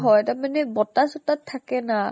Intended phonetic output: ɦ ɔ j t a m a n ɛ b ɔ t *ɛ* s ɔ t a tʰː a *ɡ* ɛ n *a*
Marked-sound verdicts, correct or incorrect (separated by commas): incorrect, incorrect, correct